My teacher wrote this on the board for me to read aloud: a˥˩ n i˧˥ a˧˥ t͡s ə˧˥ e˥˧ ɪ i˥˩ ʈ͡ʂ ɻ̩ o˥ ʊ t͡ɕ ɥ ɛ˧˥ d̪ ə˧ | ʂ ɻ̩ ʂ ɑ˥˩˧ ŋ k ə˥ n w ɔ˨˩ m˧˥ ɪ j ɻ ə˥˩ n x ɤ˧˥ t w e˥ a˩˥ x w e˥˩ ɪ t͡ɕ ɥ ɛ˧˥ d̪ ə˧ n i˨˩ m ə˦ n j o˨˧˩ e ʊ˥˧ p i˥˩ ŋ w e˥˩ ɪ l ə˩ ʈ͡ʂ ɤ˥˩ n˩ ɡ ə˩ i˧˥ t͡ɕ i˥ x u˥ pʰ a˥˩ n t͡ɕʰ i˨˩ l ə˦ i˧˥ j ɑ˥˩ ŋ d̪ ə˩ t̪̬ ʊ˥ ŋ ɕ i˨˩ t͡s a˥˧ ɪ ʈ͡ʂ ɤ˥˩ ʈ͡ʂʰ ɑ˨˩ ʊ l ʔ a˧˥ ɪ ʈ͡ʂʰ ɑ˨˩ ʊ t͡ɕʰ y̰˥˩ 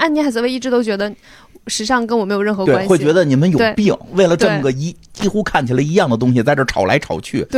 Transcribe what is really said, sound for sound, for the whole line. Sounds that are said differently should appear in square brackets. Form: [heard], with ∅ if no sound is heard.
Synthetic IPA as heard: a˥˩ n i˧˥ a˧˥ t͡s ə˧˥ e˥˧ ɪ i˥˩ ʈ͡ʂ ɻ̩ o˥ ʊ t͡ɕ ɥ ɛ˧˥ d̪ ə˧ | ʂ ɻ̩ ʂ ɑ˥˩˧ ŋ k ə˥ n w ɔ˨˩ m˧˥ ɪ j ɻ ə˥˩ n x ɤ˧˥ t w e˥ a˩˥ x w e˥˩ ɪ t͡ɕ ɥ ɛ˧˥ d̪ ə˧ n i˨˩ m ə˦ n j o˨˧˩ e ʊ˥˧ p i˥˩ ŋ w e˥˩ ɪ l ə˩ ʈ͡ʂ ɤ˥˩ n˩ ɡ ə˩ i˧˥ t͡ɕ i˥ x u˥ [kʰ] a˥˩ n t͡ɕʰ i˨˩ l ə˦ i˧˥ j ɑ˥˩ ŋ d̪ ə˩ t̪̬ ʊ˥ ŋ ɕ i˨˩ t͡s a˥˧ ɪ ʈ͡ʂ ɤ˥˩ ʈ͡ʂʰ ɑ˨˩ ʊ l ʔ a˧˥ ɪ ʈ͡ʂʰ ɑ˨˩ ʊ t͡ɕʰ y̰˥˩